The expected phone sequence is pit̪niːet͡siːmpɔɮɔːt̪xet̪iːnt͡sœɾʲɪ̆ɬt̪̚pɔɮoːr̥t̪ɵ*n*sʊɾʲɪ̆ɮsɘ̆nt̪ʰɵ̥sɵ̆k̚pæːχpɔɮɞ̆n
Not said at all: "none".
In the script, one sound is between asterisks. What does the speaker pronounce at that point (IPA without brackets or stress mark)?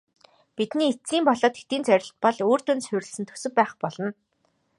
n